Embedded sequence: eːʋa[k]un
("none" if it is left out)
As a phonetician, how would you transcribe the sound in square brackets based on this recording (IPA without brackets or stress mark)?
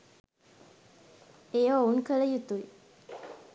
none